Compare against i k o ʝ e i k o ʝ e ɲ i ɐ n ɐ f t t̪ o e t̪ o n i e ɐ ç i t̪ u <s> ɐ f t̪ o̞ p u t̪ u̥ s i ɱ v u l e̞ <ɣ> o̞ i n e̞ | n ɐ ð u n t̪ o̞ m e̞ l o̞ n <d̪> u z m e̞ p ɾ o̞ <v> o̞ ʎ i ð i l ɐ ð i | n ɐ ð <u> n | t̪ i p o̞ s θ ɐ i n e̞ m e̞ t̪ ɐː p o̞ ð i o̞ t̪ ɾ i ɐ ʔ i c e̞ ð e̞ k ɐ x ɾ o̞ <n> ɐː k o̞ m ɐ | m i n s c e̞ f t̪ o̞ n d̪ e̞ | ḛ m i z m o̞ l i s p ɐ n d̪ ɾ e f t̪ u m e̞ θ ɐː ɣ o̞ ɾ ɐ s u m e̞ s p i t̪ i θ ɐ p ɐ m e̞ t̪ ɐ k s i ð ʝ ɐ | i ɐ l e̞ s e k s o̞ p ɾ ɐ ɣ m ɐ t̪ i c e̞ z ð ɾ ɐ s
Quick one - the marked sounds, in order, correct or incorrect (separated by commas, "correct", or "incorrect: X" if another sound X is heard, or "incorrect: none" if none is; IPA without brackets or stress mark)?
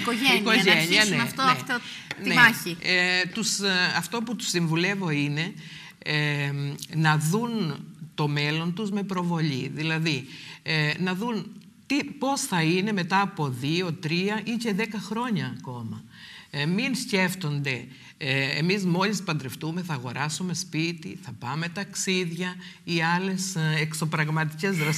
correct, incorrect: v, incorrect: t̪, correct, correct, incorrect: ɲ